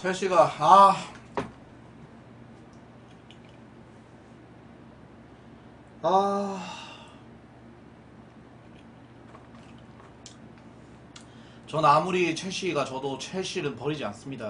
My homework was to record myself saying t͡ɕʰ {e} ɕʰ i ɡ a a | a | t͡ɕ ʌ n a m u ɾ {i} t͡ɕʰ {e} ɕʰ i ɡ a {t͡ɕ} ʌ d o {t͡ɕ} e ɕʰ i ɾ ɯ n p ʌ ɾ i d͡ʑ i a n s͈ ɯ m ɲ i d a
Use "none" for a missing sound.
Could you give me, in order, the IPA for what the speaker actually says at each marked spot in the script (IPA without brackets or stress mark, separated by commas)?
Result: e, i, e, t͡ɕ, t͡ɕʰ